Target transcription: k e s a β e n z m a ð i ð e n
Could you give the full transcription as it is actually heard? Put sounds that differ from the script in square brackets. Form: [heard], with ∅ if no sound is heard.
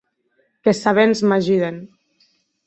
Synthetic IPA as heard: k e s a β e n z m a [ʒ] i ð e n

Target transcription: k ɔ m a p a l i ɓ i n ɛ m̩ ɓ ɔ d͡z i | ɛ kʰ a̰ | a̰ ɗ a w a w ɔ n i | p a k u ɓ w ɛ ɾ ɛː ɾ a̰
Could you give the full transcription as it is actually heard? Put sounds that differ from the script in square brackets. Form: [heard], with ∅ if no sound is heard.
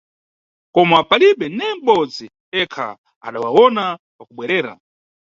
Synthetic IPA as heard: k ɔ m a p a l i ɓ [ɛ] n ɛ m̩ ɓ ɔ d͡z i | ɛ kʰ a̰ | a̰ ɗ a w a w ɔ n [a] | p a k u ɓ w ɛ ɾ ɛː ɾ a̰

